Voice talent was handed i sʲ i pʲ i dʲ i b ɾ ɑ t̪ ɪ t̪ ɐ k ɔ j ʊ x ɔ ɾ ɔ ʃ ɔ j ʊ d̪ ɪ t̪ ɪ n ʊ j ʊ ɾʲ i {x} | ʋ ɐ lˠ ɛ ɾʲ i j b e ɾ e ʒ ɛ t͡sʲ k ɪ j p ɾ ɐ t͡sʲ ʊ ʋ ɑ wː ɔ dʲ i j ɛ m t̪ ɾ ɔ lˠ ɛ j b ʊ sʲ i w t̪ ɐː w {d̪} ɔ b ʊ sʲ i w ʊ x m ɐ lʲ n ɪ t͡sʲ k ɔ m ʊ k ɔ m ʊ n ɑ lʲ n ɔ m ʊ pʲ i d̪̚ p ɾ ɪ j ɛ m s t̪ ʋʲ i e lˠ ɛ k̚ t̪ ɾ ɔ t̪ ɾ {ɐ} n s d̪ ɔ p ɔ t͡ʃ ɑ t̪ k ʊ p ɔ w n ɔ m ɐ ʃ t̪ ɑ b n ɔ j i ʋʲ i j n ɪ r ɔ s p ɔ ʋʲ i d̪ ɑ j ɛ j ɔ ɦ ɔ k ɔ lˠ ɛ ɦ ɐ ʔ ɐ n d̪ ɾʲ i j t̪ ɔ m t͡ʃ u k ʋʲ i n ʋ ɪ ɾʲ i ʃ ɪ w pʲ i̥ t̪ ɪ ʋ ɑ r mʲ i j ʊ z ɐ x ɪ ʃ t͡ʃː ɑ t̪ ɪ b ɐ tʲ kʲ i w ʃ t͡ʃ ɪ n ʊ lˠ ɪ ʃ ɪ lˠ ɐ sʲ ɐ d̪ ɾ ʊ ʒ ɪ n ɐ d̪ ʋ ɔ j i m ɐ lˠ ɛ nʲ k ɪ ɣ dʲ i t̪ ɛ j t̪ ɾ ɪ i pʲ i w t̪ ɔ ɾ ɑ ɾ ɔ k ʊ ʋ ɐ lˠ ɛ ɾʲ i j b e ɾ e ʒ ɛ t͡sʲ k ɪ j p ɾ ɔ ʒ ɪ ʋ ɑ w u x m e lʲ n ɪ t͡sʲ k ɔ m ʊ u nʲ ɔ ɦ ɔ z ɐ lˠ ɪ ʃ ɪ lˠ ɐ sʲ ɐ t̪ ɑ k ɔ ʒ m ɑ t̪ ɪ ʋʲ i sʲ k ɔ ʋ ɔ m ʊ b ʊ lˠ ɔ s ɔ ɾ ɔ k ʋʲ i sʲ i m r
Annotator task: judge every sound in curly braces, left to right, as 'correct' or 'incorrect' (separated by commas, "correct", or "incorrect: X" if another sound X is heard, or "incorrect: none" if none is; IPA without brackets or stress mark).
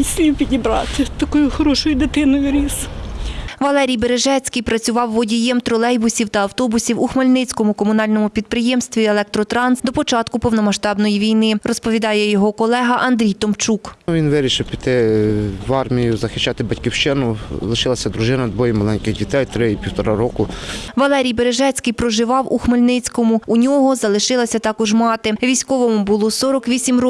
incorrect: s, incorrect: t̪, incorrect: ɑ